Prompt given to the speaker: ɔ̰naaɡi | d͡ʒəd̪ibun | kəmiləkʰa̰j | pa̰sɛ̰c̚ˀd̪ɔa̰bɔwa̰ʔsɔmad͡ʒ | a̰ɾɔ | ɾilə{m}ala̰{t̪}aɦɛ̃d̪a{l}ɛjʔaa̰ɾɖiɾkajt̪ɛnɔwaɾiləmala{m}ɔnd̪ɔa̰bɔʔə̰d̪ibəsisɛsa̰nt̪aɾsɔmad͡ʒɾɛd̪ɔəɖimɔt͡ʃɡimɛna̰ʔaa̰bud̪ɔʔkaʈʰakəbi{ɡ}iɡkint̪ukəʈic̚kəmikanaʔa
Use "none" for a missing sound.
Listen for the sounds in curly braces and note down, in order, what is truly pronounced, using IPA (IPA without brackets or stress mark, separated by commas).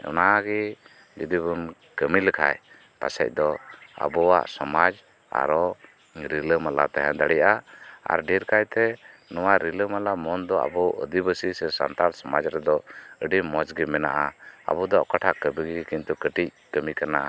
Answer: m, t̪, ɽ, m, ɡ